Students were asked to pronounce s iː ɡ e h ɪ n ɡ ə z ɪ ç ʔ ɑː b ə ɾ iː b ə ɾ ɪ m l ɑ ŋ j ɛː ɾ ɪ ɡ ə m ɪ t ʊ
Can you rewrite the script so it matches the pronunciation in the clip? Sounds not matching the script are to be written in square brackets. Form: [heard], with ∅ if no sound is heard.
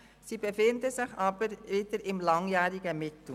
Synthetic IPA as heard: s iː [b] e [f] ɪ n [d] ə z ɪ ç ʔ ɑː b ə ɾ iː [d] ə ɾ ɪ m l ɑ ŋ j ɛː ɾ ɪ ɡ ə m ɪ t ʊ